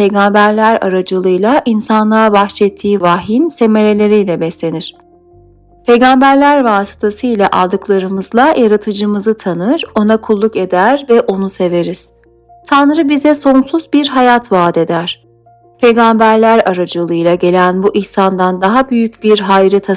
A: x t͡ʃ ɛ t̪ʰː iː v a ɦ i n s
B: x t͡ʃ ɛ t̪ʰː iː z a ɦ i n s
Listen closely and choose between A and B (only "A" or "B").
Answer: A